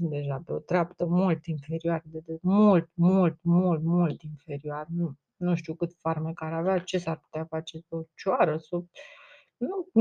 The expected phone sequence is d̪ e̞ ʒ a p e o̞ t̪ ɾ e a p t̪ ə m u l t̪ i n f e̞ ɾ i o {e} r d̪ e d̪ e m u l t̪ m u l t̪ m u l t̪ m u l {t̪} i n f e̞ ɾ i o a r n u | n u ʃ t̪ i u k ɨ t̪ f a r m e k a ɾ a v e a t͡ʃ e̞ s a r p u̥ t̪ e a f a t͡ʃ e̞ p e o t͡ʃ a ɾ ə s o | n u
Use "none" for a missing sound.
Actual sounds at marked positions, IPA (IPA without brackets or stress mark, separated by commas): a, t̪